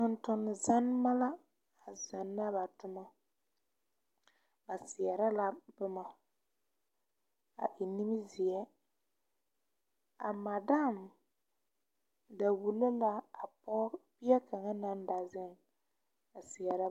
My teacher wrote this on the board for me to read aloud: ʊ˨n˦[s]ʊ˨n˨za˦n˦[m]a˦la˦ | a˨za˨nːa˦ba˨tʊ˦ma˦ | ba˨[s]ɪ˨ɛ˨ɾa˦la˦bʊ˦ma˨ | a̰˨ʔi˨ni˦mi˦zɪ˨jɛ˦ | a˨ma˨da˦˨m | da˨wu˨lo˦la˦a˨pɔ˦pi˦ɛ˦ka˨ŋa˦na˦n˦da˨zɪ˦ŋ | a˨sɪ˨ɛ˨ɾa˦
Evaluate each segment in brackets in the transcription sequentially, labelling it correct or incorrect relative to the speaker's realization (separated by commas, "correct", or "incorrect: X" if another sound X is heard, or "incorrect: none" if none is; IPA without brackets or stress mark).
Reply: incorrect: t, correct, correct